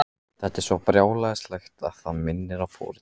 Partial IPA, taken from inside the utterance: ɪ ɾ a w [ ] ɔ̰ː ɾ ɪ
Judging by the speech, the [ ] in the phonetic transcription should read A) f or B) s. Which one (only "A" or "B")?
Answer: A